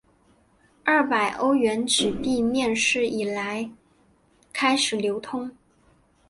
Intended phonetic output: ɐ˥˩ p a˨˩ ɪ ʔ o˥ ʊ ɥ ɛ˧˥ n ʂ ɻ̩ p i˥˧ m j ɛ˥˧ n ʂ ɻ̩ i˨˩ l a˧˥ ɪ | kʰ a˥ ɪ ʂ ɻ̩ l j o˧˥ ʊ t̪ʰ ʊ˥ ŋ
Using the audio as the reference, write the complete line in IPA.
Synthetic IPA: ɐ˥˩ p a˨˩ ɪ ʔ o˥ ʊ ɥ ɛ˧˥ n ʈ͡ʂ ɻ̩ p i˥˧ m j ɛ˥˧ n ʂ ɻ̩ i˨˩ l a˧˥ ɪ | kʰ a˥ ɪ ʂ ɻ̩ l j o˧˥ ʊ t̪ʰ ʊ˥ ŋ